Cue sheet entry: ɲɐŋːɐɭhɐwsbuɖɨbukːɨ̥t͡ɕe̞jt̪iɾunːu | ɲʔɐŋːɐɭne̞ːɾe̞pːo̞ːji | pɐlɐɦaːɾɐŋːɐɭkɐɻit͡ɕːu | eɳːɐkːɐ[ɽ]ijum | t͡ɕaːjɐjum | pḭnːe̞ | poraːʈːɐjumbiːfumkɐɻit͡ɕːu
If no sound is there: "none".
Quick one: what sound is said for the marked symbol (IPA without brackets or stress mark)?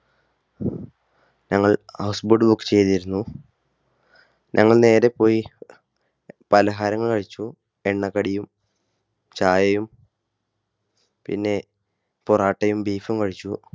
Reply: ɽ